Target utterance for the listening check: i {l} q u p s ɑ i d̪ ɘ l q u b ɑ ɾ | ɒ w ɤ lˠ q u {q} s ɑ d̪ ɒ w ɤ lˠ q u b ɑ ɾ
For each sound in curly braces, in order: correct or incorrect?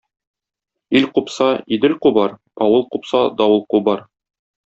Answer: correct, incorrect

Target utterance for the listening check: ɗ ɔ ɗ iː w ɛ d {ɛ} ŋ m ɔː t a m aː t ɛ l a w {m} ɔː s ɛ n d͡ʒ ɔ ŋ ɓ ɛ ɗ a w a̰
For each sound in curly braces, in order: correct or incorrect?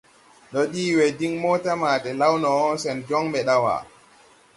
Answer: incorrect, incorrect

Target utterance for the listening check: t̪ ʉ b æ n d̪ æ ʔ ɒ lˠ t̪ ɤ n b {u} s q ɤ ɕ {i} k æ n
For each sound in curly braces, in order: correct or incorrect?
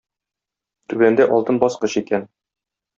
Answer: incorrect, correct

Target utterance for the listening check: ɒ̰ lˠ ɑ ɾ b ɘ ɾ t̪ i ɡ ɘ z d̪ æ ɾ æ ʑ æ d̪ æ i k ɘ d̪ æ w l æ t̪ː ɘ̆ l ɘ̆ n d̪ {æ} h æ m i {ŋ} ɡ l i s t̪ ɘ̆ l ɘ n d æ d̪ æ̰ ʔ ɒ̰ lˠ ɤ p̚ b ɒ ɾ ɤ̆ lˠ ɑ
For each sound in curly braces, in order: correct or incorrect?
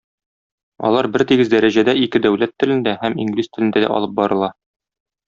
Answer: correct, correct

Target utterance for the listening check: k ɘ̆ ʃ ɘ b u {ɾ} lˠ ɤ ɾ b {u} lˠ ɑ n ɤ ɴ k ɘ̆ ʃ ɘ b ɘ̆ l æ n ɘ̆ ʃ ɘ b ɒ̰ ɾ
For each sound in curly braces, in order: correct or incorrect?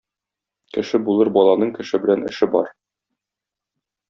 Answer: incorrect, incorrect

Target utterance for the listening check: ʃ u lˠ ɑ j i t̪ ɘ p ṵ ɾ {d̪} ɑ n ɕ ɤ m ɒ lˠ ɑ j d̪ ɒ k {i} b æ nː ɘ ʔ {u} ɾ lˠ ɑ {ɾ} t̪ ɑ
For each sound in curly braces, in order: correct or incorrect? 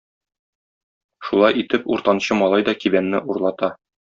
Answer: incorrect, correct, correct, incorrect

